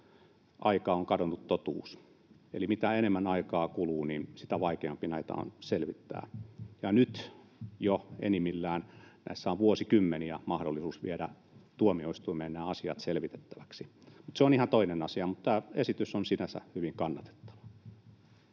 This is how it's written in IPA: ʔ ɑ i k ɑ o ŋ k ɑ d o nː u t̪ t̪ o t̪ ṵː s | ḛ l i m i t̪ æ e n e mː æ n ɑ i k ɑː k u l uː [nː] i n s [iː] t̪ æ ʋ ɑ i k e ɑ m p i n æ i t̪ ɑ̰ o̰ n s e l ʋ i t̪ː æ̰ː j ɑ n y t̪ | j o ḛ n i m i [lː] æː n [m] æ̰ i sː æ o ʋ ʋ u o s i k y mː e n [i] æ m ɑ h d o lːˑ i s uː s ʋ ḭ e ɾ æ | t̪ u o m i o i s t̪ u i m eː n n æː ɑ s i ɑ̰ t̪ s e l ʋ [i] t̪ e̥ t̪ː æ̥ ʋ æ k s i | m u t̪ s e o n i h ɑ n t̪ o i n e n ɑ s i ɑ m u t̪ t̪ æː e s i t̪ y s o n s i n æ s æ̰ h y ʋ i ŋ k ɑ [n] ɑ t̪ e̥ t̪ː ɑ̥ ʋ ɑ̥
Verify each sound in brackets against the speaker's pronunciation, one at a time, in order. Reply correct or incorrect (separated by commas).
incorrect, incorrect, correct, incorrect, correct, correct, incorrect